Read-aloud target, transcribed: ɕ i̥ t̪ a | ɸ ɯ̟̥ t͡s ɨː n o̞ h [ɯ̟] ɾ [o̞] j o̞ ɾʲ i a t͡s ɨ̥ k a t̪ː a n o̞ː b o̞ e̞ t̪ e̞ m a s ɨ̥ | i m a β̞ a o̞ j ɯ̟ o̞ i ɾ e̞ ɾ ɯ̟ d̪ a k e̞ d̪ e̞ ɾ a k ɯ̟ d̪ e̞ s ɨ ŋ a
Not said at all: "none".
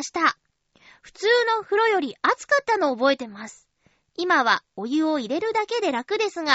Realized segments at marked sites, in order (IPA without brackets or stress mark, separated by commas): ɯ̟, o̞